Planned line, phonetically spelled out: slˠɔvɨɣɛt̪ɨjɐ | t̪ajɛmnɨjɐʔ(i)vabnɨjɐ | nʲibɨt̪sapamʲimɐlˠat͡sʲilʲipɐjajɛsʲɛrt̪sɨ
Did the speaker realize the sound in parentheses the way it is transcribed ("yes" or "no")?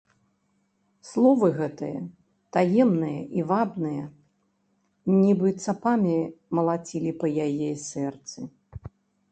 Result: yes